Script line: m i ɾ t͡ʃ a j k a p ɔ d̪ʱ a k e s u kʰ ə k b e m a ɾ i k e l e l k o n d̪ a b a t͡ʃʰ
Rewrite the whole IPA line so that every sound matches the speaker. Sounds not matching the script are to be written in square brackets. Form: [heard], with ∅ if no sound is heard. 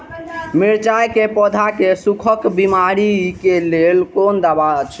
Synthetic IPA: m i ɾ t͡ʃ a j k [e] p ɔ d̪ʱ a k e s u kʰ ə k b [i] m a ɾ i k e l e l k o n d̪ a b a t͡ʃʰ